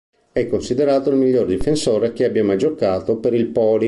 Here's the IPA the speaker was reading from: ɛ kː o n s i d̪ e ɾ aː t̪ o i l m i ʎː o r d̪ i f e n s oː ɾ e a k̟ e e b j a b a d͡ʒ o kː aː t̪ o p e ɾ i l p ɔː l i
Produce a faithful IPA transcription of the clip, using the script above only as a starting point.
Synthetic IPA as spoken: ɛ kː o n s i d̪ e ɾ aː t̪ o i l m i ʎː o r d̪ i f e n s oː ɾ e a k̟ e a b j a m a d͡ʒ o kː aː t̪ o p e ɾ i l p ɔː l i